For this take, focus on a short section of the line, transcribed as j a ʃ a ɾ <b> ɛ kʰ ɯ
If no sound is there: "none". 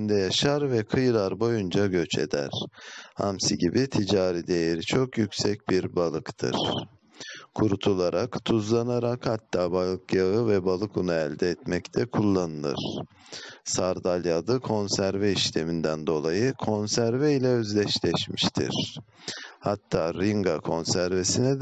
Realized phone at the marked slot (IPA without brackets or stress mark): v